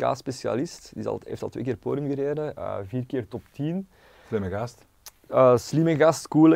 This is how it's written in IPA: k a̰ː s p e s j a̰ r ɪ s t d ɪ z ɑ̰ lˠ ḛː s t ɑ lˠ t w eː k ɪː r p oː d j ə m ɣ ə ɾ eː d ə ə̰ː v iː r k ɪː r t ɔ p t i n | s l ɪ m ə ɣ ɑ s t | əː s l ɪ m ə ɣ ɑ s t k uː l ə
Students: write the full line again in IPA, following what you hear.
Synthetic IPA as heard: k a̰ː s p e s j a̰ l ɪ s t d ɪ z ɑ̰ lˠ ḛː f t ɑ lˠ t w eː k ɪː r p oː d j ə m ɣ ə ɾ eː d ə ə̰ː v iː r k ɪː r t ɔ p t i n | s l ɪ m ə ɣ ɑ s t | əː s l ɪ m ə ɣ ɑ s t k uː l ə